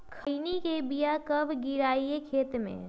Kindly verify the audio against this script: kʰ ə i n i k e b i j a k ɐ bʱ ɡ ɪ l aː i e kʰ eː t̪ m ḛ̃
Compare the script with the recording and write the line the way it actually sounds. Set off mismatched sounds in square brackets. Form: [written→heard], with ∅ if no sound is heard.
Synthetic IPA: kʰ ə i n i k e b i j a k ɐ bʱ ɡ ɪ [l→ɾ] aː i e kʰ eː t̪ m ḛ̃